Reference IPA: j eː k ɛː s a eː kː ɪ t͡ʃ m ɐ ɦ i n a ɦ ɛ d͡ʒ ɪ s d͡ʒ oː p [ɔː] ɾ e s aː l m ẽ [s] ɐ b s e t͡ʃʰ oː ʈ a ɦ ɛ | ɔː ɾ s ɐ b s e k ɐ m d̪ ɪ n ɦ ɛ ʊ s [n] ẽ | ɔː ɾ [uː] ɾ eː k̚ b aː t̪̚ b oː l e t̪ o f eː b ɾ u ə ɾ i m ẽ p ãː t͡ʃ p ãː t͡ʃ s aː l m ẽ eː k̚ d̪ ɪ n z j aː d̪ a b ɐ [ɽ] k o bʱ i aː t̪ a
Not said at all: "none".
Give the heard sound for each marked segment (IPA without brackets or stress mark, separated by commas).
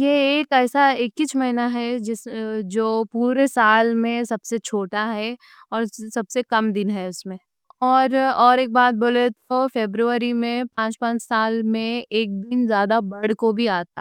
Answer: uː, s, m, ɔː, ɽ